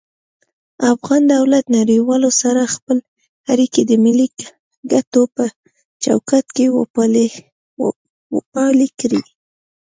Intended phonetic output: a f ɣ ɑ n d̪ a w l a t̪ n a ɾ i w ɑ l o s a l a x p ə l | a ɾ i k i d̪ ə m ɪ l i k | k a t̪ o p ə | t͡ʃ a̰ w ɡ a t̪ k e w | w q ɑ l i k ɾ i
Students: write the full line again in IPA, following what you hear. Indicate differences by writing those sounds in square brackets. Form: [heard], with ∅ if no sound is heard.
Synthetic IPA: a f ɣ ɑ n d̪ a w l a t̪ n a ɾ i w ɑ l o s a [ɾ] a x p ə l | a ɾ i k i d̪ ə m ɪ l i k | [ɡ] a t̪ o p ə | t͡ʃ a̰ w [k] a t̪ k e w | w [p] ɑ l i k ɾ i